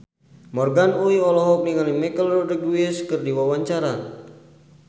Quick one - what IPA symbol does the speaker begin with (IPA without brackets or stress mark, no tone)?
m